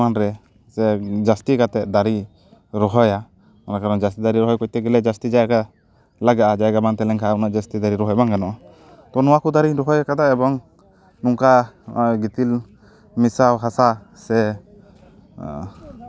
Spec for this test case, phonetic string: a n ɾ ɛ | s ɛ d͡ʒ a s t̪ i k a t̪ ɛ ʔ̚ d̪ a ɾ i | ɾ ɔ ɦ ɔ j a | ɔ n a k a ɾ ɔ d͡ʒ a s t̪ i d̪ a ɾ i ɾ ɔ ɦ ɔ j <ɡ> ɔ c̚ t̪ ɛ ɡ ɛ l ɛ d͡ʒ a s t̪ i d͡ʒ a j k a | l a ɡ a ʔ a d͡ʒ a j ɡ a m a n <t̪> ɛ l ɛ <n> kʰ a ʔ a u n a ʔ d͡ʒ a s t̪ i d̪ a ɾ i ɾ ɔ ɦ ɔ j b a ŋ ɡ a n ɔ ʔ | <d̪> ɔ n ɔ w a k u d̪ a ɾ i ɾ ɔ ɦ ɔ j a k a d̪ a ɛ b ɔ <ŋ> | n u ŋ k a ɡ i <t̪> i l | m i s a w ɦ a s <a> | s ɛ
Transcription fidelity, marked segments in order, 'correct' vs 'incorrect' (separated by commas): incorrect, correct, incorrect, incorrect, correct, correct, correct